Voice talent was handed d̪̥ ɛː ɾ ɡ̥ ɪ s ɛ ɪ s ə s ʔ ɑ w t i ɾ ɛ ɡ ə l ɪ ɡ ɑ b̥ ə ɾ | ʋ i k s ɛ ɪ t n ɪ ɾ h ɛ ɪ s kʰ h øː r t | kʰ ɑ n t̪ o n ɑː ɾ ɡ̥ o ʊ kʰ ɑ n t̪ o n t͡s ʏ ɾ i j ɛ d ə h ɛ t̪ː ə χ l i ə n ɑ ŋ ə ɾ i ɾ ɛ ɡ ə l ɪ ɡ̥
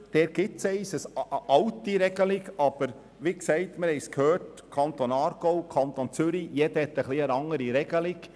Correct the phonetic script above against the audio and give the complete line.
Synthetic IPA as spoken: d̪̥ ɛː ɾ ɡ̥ ɪ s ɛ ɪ s ə s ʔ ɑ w t i ɾ ɛ ɡ ə l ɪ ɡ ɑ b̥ ə ɾ | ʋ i k s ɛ ɪ t m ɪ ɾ h ɛ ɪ s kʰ h øː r t | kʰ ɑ n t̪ o n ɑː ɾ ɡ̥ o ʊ kʰ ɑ n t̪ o n t͡s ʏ ɾ i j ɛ d ə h ɛ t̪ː ə χ l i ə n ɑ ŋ ə ɾ i ɾ ɛ ɡ ə l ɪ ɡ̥